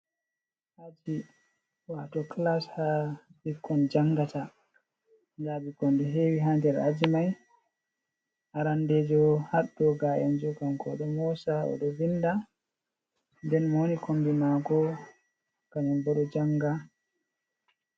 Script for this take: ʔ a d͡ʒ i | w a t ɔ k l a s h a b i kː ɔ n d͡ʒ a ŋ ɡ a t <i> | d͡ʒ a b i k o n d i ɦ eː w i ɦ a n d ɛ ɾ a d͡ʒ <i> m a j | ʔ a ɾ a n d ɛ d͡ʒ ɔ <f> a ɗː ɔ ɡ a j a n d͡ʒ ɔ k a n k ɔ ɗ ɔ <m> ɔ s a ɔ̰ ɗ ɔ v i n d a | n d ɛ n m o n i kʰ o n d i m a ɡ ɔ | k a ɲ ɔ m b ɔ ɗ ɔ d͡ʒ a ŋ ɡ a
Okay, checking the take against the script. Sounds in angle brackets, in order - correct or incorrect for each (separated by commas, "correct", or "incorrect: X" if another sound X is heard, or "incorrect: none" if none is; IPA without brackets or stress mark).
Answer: incorrect: a, correct, incorrect: h, correct